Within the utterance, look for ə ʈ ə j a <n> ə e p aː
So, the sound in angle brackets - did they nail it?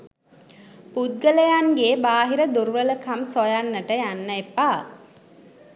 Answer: no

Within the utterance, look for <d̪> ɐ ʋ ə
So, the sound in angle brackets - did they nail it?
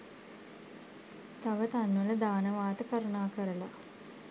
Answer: no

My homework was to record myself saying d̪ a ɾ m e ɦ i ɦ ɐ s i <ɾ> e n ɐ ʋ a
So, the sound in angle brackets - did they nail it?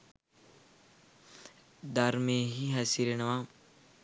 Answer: yes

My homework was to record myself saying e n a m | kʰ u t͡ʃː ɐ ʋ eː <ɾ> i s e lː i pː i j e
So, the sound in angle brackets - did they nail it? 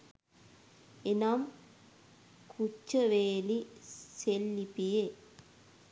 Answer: no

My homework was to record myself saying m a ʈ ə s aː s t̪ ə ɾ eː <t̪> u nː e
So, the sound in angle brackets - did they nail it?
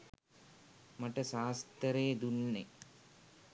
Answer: no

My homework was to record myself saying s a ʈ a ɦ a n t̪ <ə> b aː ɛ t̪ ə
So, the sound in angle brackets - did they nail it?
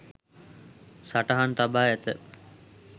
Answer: no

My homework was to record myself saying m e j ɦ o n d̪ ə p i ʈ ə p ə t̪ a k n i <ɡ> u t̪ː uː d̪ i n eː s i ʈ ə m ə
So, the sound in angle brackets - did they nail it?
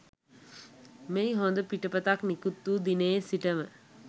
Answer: no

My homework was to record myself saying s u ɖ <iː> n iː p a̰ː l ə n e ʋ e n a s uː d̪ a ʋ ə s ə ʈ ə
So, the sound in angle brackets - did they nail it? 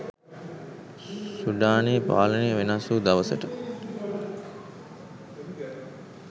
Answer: no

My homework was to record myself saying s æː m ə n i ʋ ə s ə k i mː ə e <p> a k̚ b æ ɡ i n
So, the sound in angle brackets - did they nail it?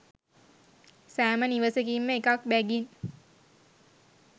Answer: no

